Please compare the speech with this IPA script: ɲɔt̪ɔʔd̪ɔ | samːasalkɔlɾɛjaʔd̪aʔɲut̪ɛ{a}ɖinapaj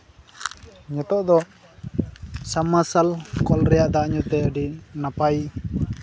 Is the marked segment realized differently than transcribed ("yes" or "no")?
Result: yes